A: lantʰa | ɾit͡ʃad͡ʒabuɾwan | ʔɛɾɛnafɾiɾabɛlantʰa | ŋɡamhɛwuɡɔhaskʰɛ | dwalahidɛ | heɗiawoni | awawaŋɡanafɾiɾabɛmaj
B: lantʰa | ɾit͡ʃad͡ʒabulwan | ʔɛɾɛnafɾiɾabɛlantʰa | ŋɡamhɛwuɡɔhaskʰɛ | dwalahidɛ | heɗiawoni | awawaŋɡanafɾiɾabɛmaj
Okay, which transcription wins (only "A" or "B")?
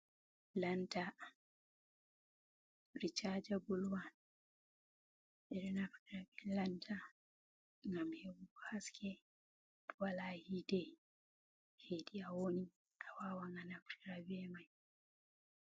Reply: B